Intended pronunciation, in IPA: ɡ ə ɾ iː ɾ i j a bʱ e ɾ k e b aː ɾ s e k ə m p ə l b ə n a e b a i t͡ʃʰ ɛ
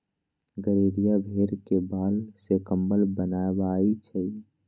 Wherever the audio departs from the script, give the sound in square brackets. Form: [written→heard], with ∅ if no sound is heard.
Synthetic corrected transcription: ɡ ə ɾ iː ɾ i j a bʱ e ɾ k e b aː [ɾ→l] s e k ə m [p→b] ə l b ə n a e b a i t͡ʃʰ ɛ